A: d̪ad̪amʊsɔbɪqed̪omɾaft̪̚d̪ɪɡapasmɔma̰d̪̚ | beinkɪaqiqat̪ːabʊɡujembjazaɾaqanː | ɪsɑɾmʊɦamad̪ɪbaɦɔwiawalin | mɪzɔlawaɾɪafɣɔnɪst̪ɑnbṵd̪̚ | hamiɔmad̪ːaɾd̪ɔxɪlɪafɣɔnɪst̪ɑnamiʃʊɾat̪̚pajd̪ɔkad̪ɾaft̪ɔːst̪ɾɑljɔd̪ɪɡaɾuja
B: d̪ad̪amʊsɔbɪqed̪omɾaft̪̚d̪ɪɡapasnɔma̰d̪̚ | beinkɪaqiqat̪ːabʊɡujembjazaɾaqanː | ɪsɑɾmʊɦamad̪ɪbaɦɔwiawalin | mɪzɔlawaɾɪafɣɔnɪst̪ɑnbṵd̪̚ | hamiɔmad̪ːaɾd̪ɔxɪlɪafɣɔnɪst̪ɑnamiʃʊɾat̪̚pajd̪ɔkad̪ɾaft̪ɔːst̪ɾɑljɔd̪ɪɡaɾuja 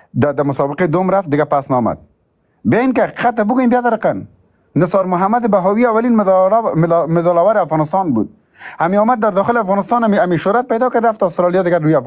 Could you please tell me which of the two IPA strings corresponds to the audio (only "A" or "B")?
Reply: B